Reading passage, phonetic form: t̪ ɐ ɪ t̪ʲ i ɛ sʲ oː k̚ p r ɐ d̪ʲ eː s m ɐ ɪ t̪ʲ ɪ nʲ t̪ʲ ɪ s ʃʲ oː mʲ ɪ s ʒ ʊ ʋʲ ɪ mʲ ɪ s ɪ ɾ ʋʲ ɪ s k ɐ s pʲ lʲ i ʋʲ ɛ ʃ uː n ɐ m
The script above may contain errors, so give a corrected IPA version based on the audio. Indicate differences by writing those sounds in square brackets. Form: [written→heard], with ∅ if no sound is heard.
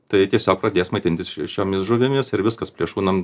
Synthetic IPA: t̪ ɐ ɪ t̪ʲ i ɛ sʲ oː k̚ p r ɐ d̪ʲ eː s m ɐ ɪ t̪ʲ ɪ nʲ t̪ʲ ɪ s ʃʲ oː mʲ ɪ s ʒ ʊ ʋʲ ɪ mʲ ɪ s ɪ ɾ ʋʲ ɪ s k ɐ s pʲ lʲ i [ʋʲ→∅] ɛ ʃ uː n ɐ m